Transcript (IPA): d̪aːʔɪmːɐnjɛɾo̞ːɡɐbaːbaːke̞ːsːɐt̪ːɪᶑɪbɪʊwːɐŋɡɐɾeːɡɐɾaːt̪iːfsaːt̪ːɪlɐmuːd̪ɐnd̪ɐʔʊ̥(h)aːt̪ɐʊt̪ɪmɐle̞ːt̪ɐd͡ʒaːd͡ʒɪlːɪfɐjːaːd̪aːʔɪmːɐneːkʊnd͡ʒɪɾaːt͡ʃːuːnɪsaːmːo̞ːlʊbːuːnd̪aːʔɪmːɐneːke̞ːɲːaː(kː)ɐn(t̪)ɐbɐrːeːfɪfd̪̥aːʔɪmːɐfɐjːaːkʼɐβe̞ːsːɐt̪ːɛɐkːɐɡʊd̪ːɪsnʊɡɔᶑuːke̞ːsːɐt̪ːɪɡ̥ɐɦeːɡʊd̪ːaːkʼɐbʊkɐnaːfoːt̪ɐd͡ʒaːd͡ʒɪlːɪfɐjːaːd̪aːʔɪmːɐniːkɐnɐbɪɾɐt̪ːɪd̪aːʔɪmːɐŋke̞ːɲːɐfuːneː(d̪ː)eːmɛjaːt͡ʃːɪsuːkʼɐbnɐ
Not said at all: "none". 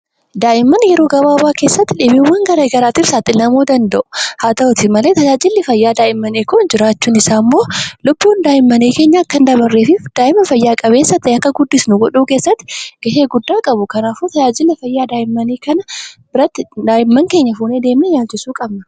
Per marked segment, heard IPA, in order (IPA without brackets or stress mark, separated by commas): h, kː, d̪, d̪